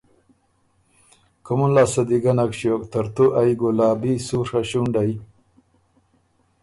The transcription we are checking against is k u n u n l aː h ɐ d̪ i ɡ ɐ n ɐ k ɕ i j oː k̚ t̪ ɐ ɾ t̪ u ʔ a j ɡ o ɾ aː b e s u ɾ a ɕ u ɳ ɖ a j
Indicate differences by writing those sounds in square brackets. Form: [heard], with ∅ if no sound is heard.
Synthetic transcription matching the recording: k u [m] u n l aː [s] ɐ d̪ i ɡ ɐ n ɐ k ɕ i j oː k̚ t̪ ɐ ɾ t̪ u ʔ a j ɡ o [l] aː b [i] s u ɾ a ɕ u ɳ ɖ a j